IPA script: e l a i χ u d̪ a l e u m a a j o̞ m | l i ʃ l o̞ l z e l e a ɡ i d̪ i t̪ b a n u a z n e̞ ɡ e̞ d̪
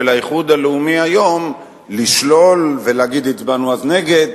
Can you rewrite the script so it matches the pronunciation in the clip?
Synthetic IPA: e l a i χ u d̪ a l e u m i a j o̞ m | l i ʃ l o̞ l v e l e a ɡ i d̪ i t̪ b a n u a z n e̞ ɡ e̞ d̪

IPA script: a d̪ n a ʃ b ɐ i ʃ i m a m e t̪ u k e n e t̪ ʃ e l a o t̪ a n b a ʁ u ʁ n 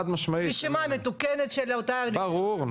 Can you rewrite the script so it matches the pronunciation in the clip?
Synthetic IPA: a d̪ m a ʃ m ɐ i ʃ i m a m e t̪ u k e n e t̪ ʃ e l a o t̪ a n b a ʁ u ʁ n

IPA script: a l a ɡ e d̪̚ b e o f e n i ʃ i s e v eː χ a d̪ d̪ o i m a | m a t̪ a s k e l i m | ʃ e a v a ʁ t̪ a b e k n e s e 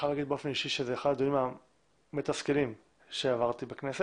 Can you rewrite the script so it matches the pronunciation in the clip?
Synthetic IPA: a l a ɡ i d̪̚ b e o f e n i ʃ i ʃ e z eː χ a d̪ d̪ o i m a | m e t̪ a s k e l i m | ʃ e a v a ʁ t̪ i b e k n e s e

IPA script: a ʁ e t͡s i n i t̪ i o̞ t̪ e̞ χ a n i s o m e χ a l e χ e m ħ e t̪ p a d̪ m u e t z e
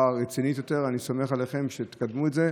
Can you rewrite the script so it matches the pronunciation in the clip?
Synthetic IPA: a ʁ e t͡s i n i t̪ j o̞ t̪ e̞ ʁ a n i s o m e χ a l e χ e m ʃ e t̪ k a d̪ m u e t z e

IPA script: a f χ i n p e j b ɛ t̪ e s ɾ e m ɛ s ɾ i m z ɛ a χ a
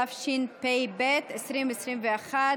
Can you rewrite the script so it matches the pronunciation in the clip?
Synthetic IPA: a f ʃ i n p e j b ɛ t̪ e s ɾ i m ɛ s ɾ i m v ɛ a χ a

